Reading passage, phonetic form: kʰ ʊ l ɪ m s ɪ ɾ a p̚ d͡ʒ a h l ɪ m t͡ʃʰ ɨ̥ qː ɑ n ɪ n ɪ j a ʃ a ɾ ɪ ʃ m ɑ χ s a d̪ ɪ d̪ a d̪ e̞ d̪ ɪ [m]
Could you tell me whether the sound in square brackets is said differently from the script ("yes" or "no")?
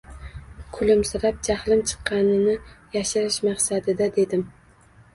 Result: no